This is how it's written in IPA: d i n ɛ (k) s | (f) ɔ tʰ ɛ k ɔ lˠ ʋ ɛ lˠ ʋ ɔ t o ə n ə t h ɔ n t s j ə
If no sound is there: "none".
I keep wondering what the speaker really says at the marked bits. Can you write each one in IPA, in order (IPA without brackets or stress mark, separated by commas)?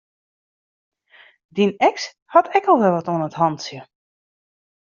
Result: k, h